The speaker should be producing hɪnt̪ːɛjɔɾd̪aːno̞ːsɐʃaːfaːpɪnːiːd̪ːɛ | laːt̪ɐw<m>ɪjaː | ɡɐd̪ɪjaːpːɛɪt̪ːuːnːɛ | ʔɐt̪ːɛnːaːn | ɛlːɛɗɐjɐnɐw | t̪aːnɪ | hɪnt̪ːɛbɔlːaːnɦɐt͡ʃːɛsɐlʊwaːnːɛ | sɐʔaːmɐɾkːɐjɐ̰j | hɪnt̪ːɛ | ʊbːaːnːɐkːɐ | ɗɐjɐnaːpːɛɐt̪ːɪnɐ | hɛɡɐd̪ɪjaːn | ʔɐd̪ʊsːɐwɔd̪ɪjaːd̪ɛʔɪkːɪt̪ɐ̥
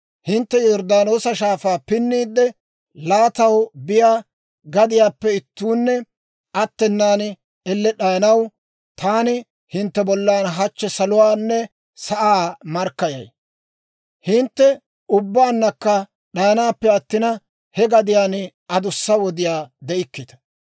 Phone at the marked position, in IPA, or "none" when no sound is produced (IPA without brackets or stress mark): b